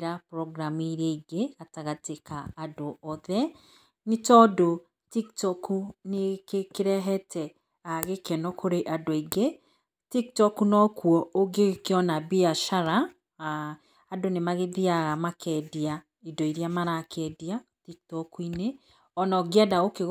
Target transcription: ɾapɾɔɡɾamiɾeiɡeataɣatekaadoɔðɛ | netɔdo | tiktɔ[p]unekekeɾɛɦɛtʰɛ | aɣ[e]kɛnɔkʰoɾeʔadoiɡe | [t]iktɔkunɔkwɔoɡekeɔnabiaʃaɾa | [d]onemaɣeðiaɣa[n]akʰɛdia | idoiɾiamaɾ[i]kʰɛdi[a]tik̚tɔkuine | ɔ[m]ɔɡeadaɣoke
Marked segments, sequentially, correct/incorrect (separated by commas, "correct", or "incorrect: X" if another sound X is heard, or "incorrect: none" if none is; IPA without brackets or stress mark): incorrect: k, correct, correct, correct, incorrect: m, incorrect: a, correct, incorrect: n